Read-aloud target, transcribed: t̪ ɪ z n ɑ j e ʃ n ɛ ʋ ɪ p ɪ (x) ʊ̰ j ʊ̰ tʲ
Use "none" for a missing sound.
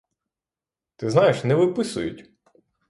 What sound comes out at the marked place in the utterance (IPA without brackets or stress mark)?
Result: s